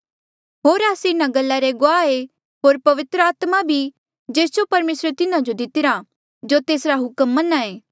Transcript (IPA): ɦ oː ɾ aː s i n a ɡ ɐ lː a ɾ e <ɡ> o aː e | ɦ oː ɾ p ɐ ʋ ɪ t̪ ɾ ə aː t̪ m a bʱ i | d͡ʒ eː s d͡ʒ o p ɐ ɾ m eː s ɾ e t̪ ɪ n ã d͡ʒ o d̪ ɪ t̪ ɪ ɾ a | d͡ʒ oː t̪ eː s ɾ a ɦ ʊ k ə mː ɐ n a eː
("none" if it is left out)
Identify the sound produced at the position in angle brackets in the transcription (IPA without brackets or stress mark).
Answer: ɡ